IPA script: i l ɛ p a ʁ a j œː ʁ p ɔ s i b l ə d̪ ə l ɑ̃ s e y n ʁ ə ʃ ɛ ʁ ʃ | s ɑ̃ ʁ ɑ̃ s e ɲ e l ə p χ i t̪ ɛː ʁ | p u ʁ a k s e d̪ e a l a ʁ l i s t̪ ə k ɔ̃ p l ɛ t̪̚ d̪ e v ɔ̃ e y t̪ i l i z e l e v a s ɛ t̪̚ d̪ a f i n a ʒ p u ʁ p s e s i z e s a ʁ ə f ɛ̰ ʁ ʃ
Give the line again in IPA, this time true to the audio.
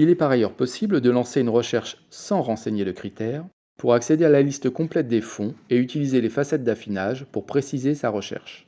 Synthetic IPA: i l ɛ p a ʁ a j œ ʁ p ɔ s i b l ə d̪ ə l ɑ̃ s e y n ʁ ə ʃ ɛ ʁ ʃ | s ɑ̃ ʁ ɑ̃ s e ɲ e l ə k χ i t̪ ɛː ʁ | p u ʁ a k s e d̪ e a l a l i s t̪ ə k ɔ̃ p l ɛ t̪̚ d̪ e f ɔ̃ e y t̪ i l i z e l e f a s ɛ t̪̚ d̪ a f i n a ʒ p u ʁ p χ e s i z e s a ʁ ə ʃ ɛ̰ ʁ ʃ

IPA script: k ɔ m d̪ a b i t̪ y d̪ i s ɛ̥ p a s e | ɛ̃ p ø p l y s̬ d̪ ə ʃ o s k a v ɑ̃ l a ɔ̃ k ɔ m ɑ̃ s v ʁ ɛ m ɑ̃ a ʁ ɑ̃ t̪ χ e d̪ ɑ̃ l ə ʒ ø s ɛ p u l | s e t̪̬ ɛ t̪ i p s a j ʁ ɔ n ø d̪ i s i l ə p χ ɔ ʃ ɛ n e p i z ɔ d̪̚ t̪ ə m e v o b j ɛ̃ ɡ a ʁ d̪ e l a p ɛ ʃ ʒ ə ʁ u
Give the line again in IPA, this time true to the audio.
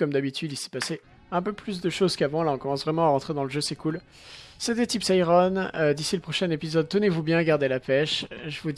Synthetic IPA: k ɔ m d̪ a b i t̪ y d̪ i s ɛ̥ p a s e | ɛ̃ p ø p l y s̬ d̪ ə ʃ o z k a v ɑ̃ l a ɔ̃ k ɔ m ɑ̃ s v ʁ ɛ m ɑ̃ a ʁ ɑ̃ t̪ χ e d̪ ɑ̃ l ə ʒ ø s ɛ k u l | s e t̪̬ ɛ t̪ i p s a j ʁ ɔ n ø d̪ i s i l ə p χ ɔ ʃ ɛ n e p i z ɔ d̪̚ t̪ ə n e v u b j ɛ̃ ɡ a ʁ d̪ e l a p ɛ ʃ ʒ ə v u

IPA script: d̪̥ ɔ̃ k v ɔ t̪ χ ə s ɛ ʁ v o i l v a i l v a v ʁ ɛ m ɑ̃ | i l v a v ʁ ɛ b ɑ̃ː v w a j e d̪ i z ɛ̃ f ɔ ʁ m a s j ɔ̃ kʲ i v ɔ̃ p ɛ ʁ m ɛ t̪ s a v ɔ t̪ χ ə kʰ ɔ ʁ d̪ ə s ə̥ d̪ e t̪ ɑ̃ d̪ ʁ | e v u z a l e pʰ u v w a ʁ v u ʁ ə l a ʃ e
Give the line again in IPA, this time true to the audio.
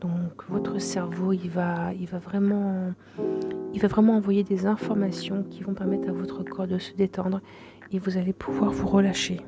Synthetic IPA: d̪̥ ɔ̃ k v ɔ t̪ χ ə s ɛ ʁ v o i l v a i l v a v ʁ ɛ m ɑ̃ | i l v a v ʁ ɛ m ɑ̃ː v w a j e d̪ e z ɛ̃ f ɔ ʁ m a s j ɔ̃ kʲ i v ɔ̃ p ɛ ʁ m ɛ t̪ χ a v ɔ t̪ χ ə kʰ ɔ ʁ d̪ ə s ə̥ d̪ e t̪ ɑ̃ d̪ ʁ | e v u z a l e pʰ u v w a ʁ v u ʁ ə l a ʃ e

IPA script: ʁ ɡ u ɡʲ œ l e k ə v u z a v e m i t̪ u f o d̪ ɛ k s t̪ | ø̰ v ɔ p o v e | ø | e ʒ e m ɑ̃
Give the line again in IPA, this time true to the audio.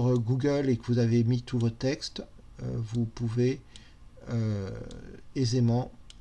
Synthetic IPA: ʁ ɡ u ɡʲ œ l e k ə v u z a v e m i t̪ u v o t̪ ɛ k s t̪ | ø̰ v u p u v e | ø | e z e m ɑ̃

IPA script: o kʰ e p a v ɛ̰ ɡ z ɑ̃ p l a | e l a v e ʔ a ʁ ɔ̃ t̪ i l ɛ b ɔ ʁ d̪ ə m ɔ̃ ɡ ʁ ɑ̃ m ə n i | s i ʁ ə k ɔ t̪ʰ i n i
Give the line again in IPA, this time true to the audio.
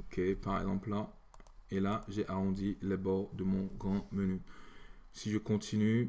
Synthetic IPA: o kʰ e p a ʁ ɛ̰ ɡ z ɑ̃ p l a | e l a ʒ e ʔ a ʁ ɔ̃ d̪ i l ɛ b ɔ ʁ d̪ ə m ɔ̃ ɡ ʁ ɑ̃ m ə n y | s i ʒ ə k ɔ̃ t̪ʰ i n y

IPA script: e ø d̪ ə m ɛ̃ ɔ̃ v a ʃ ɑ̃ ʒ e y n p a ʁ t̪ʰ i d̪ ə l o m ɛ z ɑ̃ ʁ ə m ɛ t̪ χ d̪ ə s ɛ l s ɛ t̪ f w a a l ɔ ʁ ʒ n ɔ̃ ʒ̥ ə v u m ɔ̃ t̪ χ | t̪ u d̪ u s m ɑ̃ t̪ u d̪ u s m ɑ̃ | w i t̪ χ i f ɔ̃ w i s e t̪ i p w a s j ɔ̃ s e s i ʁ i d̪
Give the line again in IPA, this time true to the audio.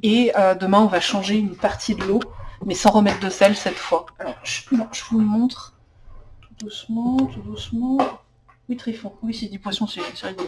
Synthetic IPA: e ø d̪ ə m ɛ̃ ɔ̃ v a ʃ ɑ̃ ʒ e y n p a ʁ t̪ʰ i d̪ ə l o m ɛ s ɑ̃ ʁ ə m ɛ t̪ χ d̪ ə s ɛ l s ɛ t̪ f w a a l ɔ ʁ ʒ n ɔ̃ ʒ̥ ə v u m ɔ̃ t̪ χ | t̪ u d̪ u s m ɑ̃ t̪ u d̪ u s m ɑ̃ | w i t̪ χ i f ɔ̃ w i s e d̪ i p w a s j ɔ̃ s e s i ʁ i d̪

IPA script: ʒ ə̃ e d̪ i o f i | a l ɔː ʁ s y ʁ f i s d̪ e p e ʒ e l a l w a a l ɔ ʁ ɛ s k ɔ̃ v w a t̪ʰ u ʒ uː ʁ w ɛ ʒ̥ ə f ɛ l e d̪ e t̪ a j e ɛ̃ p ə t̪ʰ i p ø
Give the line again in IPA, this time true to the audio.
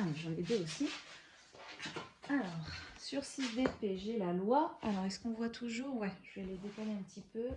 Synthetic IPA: ʒ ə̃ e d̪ e o s i | a l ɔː ʁ s y ʁ s i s d̪ e p e ʒ e l a l w a a l ɔ ʁ ɛ s k ɔ̃ v w a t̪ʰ u ʒ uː ʁ w ɛ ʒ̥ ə v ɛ l e d̪ e t̪ a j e ɛ̃ p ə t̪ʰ i p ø

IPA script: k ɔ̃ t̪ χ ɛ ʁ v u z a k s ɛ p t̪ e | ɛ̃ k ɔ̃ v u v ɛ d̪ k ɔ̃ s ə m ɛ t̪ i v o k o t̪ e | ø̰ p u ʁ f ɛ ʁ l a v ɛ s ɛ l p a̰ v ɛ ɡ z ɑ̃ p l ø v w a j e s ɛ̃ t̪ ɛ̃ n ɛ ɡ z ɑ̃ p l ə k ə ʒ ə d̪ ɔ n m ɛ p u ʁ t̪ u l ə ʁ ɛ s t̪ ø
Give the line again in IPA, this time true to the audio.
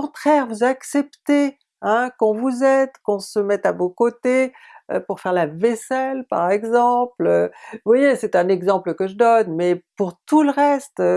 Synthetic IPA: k ɔ̃ t̪ χ ɛ ʁ v u z a k s ɛ p t̪ e | ɛ̃ k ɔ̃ v u z ɛ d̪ k ɔ̃ s ə m ɛ t̪ a v o k o t̪ e | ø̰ p u ʁ f ɛ ʁ l a v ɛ s ɛ l p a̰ ʁ ɛ ɡ z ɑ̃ p l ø v w a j e s ɛ t̪ ɛ̃ n ɛ ɡ z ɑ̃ p l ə k ə ʒ ə d̪ ɔ n m ɛ p u ʁ t̪ u l ə ʁ ɛ s t̪ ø

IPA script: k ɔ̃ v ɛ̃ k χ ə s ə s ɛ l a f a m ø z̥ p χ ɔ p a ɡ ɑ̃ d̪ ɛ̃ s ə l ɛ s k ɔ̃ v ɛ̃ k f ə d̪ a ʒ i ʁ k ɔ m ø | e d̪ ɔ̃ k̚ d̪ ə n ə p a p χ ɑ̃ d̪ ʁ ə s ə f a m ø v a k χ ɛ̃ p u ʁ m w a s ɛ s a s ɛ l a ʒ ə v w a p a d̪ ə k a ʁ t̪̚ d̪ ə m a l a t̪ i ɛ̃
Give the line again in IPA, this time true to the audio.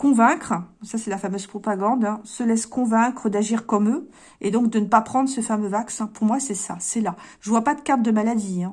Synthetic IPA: k ɔ̃ v ɛ̃ k χ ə s a s ɛ l a f a m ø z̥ p χ ɔ p a ɡ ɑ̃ d̪ ɛ̃ s ə l ɛ s k ɔ̃ v ɛ̃ k χ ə d̪ a ʒ i ʁ k ɔ m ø | e d̪ ɔ̃ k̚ d̪ ə n ə p a p χ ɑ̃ d̪ ʁ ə s ə f a m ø v a k s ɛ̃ p u ʁ m w a s ɛ s a s ɛ l a ʒ ə v w a p a d̪ ə k a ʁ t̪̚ d̪ ə m a l a d̪ i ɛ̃

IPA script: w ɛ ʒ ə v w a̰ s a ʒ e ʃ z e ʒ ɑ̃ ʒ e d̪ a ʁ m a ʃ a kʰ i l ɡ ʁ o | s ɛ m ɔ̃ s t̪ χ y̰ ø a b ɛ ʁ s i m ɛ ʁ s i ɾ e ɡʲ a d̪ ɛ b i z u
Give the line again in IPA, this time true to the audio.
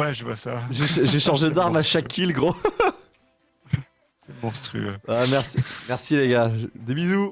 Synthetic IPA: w ɛ ʒ ə v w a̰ s a ʒ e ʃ ʒ e ʃ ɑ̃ ʒ e d̪ a ʁ m a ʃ a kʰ i l ɡ ʁ o | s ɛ m ɔ̃ s t̪ χ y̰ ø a m ɛ ʁ s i m ɛ ʁ s i l e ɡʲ a d̪ e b i z u

